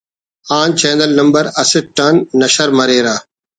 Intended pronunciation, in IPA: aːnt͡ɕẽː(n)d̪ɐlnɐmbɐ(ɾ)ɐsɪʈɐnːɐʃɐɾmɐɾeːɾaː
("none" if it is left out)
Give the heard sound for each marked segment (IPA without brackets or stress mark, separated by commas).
n, ɾ